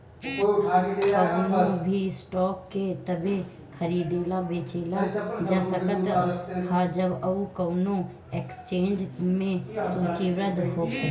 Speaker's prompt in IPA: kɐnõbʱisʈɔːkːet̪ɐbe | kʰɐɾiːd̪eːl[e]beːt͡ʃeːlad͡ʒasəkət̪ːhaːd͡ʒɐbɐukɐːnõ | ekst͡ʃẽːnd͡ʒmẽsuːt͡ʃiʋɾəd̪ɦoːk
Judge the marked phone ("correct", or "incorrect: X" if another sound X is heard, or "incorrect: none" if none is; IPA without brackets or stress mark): incorrect: a